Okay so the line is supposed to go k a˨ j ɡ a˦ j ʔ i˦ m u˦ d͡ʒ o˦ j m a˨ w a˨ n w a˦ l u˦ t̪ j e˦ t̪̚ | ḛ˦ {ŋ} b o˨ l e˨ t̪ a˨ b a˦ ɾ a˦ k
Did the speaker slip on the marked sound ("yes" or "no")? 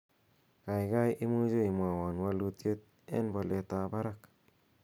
yes